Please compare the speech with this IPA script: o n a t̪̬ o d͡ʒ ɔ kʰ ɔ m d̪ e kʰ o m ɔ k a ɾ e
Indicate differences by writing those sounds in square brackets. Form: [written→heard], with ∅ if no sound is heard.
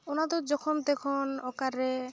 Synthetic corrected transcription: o n a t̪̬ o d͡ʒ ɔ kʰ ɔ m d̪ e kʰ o [m→n] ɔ k a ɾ e